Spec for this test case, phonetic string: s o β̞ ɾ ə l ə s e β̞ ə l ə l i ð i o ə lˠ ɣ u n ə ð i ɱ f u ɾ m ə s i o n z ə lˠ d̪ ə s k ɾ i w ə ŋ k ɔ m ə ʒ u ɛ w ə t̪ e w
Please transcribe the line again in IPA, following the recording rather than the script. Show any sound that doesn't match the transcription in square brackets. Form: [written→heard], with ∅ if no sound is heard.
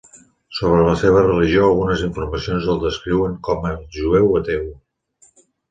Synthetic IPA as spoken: s o β̞ ɾ ə l ə s e β̞ ə [l→r] ə l i [ð→ʒ] i o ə lˠ ɣ u n ə [ð→z] i ɱ f u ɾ m ə s i o n z ə lˠ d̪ ə s k ɾ i w ə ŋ k ɔ m ə ʒ u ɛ w ə t̪ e w

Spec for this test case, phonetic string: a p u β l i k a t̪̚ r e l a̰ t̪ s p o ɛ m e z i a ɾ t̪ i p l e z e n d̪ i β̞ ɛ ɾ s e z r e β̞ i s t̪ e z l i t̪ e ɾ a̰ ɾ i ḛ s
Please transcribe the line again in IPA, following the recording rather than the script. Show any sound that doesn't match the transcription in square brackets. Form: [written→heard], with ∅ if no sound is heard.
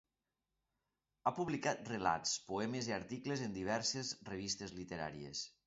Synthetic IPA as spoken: a p u β l i k a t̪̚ r e l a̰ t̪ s p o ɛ m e z i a ɾ t̪ i [p→k] l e z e n d̪ i β̞ ɛ ɾ s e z r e β̞ i s t̪ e z l i t̪ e ɾ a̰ ɾ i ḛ s

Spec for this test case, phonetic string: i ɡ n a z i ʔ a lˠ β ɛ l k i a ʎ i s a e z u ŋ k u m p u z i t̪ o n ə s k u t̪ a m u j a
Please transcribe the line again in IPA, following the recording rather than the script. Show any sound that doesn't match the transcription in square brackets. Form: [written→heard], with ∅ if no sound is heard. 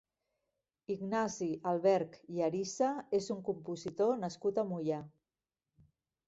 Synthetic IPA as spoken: i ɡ n a z i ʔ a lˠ β ɛ [l→ɾ] k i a [ʎ→ɾ] i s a e z u ŋ k u m p u z i t̪ o n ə s k u t̪ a m u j a

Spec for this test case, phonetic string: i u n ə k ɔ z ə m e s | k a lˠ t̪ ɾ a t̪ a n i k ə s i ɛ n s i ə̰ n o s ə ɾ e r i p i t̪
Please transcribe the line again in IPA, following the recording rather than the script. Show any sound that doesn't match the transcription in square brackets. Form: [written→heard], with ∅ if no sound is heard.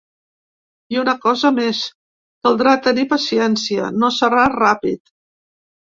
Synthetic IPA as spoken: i u n ə k ɔ z ə m e s | k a lˠ [t̪→d̪] ɾ a t̪ [a→ə] n i [k→p] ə s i ɛ n s i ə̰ n o s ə ɾ [e→a] r [i→a] p i t̪

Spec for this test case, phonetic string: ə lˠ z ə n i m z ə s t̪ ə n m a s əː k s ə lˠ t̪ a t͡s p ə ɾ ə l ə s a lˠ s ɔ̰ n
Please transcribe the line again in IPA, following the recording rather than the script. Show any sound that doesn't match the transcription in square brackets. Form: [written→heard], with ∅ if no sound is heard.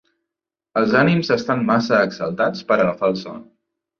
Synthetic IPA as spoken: ə lˠ z [ə→a] n i m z ə s t̪ [ə→a] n m a s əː k s ə lˠ t̪ a t͡s p ə ɾ ə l ə [s→f] a lˠ s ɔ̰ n

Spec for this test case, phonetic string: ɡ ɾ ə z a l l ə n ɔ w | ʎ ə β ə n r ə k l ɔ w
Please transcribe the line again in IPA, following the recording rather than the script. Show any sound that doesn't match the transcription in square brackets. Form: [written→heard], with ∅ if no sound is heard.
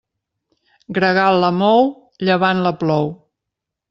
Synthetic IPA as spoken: ɡ ɾ ə [z→ɣ] a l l ə [n→m] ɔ w | ʎ ə β [ə→a] n [r→l] ə [k→p] l ɔ w

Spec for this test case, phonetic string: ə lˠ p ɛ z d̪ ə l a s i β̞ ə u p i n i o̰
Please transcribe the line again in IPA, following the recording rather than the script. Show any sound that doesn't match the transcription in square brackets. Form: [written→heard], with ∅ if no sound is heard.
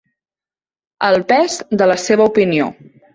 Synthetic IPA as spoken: ə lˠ p ɛ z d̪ ə l [a→ə] s [i→e] β̞ ə u p i n i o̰

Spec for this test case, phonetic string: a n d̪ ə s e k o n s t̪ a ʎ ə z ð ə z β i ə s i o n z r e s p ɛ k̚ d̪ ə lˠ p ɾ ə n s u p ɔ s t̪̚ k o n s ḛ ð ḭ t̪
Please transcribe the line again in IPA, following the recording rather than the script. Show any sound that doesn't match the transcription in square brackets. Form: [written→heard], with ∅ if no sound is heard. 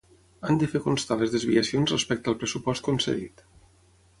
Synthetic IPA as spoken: a n d̪ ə [s→f] e k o n s t̪ a [ʎ→l] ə z ð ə z β i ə s i o n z r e s p ɛ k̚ [d̪→t̪] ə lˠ p ɾ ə [n→∅] s u p ɔ s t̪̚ k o n s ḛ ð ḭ t̪

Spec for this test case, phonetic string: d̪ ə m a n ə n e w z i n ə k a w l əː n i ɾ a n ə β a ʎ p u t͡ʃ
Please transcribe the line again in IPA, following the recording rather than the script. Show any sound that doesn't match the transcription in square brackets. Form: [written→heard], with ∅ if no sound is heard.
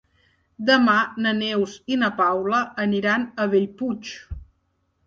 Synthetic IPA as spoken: d̪ ə m a n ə n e w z i n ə [k→p] a w l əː n i ɾ a n ə β [a→e] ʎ p u t͡ʃ

